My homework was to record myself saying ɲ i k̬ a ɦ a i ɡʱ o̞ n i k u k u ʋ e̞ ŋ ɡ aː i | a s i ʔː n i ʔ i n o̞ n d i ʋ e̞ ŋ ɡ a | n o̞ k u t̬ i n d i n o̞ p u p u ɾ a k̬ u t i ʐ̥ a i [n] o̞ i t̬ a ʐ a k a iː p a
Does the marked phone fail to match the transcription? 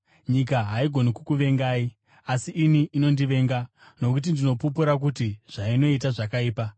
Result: no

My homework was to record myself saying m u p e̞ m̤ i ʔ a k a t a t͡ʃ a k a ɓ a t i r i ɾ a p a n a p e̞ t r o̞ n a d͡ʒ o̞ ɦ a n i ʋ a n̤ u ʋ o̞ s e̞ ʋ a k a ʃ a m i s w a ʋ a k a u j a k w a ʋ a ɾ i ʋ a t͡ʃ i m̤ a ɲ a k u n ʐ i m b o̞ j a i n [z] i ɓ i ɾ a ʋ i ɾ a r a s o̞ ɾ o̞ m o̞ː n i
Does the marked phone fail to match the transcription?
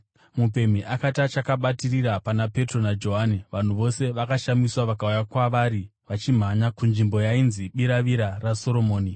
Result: no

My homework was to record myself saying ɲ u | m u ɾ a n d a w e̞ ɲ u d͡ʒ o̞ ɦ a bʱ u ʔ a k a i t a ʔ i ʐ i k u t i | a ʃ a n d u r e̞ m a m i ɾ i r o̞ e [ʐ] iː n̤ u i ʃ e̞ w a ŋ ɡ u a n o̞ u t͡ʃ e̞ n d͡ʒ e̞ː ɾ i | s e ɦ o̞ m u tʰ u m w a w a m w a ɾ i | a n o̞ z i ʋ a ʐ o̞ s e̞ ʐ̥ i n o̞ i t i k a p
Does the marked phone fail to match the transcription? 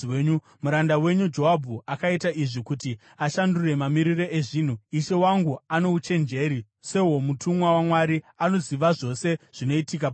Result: no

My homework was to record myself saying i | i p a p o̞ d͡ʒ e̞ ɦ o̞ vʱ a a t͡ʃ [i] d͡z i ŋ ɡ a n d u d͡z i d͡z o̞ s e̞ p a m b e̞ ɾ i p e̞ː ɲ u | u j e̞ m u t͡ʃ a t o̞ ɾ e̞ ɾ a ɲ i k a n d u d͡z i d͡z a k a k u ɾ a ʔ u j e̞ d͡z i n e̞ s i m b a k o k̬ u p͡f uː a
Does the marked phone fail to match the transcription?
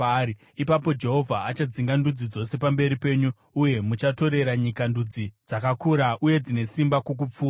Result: yes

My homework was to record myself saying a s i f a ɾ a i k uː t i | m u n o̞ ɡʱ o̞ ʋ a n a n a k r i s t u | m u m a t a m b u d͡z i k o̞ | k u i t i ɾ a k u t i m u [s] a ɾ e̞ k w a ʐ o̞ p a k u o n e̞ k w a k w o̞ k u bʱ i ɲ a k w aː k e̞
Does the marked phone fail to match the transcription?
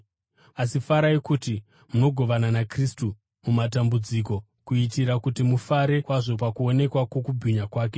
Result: yes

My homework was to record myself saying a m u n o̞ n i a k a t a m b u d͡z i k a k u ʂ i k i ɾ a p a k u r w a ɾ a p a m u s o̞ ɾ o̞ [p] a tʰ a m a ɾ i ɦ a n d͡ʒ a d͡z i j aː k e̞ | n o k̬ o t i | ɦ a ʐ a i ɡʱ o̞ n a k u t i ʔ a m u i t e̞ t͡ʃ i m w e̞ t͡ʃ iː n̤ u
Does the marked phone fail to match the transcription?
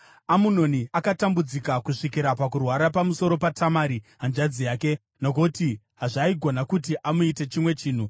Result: no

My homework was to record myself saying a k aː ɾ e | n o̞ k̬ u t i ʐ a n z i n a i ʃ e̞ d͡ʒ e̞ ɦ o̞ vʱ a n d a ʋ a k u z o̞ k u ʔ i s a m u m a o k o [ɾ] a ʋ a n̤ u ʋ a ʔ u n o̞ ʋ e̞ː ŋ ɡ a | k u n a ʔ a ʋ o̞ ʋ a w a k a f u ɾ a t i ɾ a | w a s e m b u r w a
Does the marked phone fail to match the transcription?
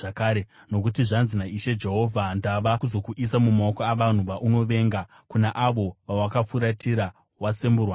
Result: yes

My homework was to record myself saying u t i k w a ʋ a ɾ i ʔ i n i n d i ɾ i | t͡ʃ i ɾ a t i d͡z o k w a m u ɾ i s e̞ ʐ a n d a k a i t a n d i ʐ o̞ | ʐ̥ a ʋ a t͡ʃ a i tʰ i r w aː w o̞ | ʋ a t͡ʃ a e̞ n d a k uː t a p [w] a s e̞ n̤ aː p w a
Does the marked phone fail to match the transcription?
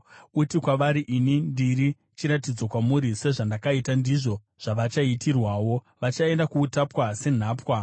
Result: no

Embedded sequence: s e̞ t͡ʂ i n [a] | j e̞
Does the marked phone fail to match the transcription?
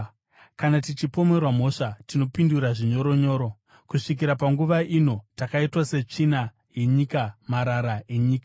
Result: no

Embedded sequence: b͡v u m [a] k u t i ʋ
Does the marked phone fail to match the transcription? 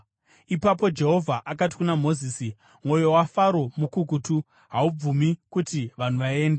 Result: yes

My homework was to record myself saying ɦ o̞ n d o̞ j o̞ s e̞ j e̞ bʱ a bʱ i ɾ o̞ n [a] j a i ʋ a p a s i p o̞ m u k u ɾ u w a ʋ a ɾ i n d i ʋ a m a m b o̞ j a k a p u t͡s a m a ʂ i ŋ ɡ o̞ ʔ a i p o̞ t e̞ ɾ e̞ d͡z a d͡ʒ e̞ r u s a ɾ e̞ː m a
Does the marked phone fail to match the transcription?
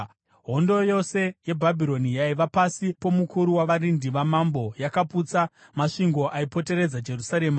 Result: yes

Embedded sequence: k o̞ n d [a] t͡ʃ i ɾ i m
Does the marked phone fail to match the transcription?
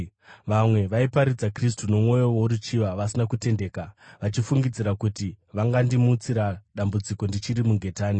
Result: yes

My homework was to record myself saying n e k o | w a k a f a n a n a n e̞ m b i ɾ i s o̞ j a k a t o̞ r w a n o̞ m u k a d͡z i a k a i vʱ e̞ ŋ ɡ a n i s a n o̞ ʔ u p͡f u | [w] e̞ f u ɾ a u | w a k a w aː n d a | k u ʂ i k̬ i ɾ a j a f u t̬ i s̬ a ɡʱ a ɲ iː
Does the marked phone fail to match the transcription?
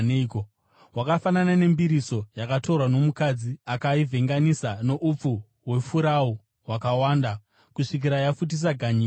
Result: no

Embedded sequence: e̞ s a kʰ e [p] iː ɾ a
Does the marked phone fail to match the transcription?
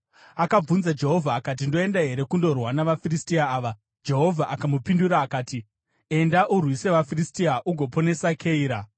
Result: yes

